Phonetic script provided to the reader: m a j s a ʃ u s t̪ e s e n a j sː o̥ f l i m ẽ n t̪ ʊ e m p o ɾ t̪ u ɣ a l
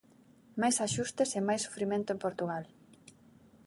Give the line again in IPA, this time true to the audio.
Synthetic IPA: m a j s a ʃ u s t̪ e s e m a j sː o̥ f ɾ i m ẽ n t̪ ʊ e m p o ɾ t̪ u ɣ a l